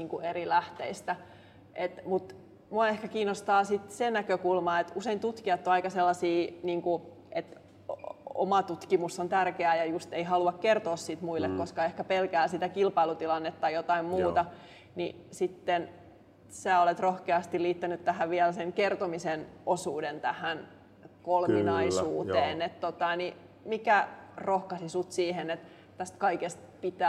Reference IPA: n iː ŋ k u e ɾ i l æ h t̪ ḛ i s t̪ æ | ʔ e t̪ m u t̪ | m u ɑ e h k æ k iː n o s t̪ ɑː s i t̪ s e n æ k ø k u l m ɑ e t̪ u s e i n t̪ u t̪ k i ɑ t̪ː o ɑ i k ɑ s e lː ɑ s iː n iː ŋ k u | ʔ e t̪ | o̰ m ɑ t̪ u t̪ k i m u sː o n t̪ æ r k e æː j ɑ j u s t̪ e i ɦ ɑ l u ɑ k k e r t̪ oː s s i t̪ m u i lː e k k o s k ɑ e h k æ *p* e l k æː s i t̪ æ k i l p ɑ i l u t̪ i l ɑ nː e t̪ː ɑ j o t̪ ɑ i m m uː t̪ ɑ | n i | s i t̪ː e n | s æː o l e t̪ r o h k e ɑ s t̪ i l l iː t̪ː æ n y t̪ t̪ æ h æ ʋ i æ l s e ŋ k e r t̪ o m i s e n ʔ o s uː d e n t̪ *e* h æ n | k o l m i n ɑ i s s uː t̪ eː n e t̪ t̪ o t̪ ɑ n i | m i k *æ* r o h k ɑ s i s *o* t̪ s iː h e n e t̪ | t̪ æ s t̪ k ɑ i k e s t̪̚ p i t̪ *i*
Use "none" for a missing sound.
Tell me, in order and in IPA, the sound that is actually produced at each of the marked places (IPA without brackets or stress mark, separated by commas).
p, æ, æ, u, æ